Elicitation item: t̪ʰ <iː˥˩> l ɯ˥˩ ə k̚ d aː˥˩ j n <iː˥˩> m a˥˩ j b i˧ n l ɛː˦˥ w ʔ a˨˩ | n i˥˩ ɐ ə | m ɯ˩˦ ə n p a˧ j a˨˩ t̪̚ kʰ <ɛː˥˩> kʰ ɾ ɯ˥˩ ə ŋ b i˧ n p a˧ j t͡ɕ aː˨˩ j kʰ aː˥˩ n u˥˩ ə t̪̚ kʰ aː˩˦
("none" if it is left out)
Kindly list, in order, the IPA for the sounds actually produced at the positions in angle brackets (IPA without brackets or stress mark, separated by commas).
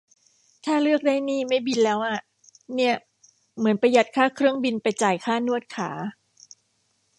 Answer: aː˥˩, iː˥˩, aː˥˩